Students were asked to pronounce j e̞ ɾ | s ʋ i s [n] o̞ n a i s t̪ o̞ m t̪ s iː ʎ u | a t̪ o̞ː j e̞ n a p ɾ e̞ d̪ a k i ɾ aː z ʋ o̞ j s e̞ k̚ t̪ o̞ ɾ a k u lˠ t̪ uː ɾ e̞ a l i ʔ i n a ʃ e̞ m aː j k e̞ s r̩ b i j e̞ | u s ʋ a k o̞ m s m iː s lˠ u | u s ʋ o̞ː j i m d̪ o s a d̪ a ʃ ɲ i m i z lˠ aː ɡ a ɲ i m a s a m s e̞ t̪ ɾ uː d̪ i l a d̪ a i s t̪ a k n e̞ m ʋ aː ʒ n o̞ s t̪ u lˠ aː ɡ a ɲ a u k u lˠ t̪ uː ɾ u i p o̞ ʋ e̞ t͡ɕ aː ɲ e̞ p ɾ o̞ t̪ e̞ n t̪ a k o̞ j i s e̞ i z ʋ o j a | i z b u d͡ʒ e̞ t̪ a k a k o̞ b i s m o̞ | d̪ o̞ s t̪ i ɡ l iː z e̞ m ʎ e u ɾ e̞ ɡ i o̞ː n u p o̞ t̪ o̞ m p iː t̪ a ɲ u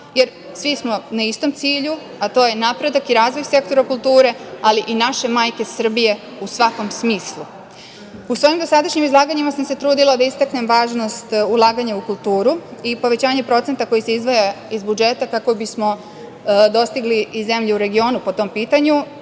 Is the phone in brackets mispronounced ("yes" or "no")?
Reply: yes